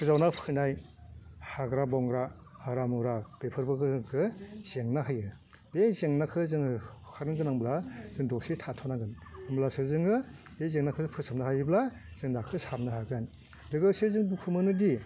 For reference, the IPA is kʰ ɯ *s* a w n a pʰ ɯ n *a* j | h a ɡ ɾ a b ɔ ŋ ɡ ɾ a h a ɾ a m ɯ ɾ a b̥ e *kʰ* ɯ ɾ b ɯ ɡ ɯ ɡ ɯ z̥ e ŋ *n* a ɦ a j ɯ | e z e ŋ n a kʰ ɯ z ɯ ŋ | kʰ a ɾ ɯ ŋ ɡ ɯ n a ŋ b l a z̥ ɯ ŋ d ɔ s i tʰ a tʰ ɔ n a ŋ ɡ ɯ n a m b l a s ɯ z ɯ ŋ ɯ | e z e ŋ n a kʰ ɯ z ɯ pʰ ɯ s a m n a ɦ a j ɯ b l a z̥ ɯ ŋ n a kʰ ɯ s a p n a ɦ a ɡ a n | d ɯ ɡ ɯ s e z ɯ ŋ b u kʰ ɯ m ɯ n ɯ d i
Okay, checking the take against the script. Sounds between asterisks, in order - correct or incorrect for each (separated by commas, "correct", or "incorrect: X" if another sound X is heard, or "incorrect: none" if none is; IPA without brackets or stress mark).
incorrect: z, correct, incorrect: pʰ, correct